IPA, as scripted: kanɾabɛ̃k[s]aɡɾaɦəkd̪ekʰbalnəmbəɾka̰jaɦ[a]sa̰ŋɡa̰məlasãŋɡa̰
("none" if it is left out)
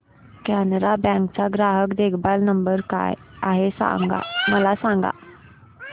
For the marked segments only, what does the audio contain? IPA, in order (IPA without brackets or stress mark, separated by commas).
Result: t͡s, e